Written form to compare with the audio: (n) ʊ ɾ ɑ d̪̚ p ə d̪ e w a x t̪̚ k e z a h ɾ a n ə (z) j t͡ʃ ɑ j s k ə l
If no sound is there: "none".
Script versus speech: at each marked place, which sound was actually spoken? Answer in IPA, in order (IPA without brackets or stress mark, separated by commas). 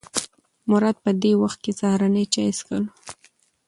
m, none